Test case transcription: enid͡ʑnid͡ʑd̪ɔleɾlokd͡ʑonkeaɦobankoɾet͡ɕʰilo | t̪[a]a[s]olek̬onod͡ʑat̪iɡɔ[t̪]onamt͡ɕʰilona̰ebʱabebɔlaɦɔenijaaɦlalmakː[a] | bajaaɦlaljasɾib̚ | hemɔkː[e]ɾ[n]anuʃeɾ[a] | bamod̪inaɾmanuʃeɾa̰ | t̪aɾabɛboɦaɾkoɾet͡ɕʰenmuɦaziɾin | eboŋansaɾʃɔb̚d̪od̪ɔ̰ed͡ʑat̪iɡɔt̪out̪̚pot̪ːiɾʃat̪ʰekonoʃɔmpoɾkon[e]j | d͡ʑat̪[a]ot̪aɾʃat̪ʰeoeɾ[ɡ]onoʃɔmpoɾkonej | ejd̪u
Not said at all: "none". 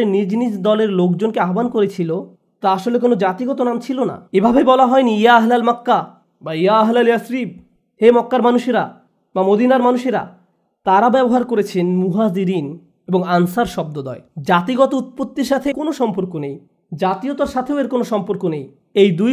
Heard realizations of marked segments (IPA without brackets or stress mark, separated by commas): a, ʃ, t̪, a, a, m, a, e, i, k